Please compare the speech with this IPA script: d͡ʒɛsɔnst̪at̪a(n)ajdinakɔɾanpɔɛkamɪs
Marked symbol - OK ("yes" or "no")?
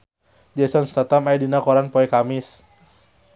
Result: no